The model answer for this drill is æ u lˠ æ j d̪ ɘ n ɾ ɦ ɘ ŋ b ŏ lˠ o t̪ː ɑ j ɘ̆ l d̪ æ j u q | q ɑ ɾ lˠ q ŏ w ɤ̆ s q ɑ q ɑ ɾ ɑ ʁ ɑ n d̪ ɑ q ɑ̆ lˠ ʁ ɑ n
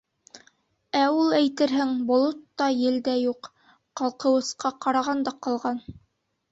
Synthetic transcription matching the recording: æ u lˠ æ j t̪ ɘ ɾ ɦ ɘ ŋ b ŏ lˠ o t̪ː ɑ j ɘ̆ l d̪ æ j u q | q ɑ lˠ q ɤ̆ w ɤ̆ s q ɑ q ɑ ɾ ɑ ʁ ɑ n d̪ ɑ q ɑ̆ lˠ ʁ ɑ n

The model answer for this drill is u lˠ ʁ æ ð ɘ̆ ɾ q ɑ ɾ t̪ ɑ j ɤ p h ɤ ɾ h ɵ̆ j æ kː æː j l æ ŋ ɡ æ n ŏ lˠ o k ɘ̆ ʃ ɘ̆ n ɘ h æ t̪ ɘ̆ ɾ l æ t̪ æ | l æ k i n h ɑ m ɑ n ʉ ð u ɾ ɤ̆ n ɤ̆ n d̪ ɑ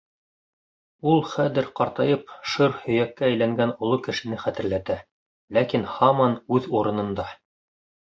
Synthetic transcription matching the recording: u lˠ χ æ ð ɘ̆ ɾ q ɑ ɾ t̪ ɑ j ɤ p ʃ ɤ ɾ h ɵ̆ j æ kː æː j l æ ŋ ɡ æ n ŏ lˠ o k ɘ̆ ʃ ɘ̆ n ɘ χ æ t̪ ɘ̆ ɾ l æ t̪ æ | l æ k i n h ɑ m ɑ n ʉ ð u ɾ ɤ̆ n ɤ̆ n d̪ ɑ

